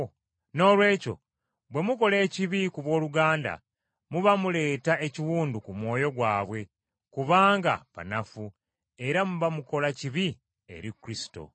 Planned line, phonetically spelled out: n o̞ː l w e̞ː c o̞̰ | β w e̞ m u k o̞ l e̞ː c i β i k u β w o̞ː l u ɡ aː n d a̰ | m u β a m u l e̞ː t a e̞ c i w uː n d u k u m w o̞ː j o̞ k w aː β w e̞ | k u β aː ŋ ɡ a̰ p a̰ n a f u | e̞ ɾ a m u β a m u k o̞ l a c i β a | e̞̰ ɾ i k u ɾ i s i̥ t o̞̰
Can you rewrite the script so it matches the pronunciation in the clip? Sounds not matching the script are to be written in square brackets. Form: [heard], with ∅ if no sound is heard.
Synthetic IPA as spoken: n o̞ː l w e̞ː c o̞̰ | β w e̞ m u k o̞ l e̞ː c i β i k u β w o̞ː l u ɡ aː n d a̰ | m u β a m u l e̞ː t a e̞ c i w uː n d u k u m w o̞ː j o̞ [ɡ] w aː β w e̞ | k u β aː ŋ ɡ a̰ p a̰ n a f u | e̞ ɾ a m u β a m u k o̞ l a c i β [i] | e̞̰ ɾ i k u ɾ i s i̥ t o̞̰